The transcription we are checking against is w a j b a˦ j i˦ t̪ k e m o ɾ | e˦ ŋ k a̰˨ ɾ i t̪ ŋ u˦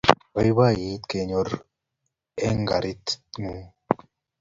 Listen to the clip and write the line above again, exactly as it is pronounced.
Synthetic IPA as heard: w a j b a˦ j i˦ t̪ k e ɲ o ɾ | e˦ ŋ ɡ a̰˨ ɾ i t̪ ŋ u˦